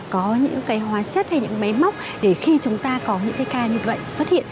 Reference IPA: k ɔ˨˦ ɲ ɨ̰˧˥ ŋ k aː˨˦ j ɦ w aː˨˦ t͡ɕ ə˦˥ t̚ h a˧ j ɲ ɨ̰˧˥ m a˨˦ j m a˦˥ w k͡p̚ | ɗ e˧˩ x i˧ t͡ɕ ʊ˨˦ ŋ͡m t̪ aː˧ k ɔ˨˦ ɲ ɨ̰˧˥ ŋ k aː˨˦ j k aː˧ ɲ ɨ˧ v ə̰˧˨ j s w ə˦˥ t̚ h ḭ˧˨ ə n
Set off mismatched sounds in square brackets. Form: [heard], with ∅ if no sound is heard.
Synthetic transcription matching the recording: k ɔ˨˦ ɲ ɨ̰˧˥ ŋ k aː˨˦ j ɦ w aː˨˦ t͡ɕ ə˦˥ t̚ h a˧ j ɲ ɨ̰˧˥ m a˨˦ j m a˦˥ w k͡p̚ | ɗ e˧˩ x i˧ t͡ɕ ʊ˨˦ ŋ͡m t̪ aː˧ k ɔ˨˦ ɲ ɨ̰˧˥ ŋ k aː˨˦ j k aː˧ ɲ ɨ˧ v ə̰˧˨ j s w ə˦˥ t̚ h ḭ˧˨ ə n